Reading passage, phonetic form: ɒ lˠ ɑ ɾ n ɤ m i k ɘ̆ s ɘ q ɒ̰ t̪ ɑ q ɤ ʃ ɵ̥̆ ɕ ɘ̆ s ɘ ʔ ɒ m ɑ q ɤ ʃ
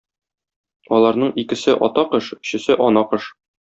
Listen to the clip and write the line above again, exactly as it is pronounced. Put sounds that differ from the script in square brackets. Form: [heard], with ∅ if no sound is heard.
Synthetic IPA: ɒ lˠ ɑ ɾ n ɤ [ɴ] i k ɘ̆ s ɘ [ʔ] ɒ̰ t̪ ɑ q ɤ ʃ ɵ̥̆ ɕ ɘ̆ s ɘ ʔ ɒ [n] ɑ q ɤ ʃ